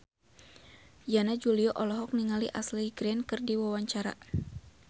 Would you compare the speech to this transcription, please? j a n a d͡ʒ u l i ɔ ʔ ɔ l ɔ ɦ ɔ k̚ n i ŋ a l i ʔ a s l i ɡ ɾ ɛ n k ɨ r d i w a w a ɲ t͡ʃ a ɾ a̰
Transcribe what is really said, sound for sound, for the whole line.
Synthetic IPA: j a n a d͡ʒ u l i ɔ ʔ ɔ l ɔ ɦ ɔ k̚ n i ŋ a l i ʔ a s l i ɡ ɾ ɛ n k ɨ r d i w a w a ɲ t͡ʃ a ɾ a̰